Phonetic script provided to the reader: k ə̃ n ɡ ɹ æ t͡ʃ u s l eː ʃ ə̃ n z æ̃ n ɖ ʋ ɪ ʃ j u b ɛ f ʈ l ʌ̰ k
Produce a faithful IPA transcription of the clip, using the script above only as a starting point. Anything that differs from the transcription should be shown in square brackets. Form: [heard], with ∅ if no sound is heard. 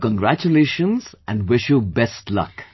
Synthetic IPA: k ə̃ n ɡ [ɾ] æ t͡ʃ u [∅] l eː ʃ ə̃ n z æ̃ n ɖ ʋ ɪ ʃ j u b ɛ [s] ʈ l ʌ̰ k